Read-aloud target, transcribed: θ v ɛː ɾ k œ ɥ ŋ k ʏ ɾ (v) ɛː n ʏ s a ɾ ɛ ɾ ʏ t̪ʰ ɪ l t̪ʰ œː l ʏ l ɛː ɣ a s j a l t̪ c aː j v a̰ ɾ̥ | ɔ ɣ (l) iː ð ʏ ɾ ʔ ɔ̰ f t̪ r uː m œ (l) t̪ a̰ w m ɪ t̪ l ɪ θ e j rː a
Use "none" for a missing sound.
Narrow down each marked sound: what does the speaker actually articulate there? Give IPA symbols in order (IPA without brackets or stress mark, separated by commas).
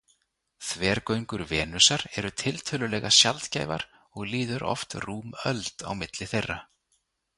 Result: v, l, l